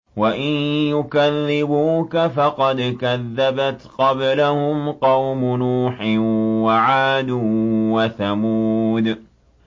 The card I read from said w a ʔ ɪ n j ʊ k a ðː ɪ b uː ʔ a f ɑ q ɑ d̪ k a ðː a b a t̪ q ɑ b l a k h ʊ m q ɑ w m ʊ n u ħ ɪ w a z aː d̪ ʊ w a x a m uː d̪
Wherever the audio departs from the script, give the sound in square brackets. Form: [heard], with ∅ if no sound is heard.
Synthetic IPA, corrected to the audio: w a ʔ ɪ n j ʊ k a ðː ɪ b uː [k] a f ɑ q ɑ d̪ k a ðː a b a t̪ q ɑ b l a [∅] h ʊ m q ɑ w m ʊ n [uː] ħ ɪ w a [ʕ] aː d̪ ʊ w a [θ] a m uː d̪